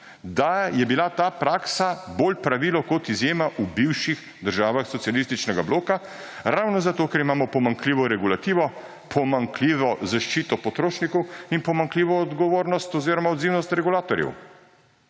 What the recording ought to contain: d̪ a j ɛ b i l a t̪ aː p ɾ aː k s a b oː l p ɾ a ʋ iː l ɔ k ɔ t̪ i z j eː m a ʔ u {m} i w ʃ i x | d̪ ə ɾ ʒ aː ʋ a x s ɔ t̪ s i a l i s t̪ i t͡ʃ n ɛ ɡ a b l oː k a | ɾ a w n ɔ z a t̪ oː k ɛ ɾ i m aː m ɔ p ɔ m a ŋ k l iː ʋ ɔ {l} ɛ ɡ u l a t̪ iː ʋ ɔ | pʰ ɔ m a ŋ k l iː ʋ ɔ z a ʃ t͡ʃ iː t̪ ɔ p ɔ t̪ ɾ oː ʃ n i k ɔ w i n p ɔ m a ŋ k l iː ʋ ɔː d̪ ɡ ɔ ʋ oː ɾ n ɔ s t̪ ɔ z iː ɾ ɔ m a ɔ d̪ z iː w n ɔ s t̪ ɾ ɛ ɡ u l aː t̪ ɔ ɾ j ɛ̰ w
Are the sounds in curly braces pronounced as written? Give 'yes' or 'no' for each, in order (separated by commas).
no, no